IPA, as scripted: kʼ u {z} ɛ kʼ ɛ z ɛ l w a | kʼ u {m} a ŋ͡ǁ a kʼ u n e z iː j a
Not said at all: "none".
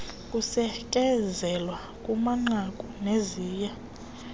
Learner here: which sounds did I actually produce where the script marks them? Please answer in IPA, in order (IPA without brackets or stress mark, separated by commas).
s, m